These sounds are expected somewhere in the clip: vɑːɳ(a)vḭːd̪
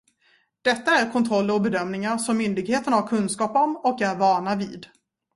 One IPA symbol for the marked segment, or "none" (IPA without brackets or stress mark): a